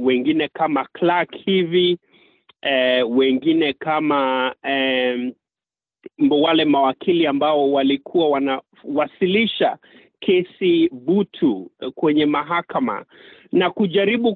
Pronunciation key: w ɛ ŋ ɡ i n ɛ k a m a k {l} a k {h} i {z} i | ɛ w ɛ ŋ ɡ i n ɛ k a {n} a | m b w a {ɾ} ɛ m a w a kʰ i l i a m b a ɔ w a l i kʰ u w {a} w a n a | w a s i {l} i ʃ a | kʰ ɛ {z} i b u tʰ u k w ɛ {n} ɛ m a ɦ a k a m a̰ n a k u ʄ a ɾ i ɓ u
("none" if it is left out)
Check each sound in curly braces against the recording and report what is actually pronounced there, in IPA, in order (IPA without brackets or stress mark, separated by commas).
l, h, v, m, l, a, l, s, ɲ